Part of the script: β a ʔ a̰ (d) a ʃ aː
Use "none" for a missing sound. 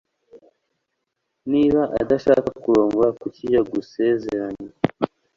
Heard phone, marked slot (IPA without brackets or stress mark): d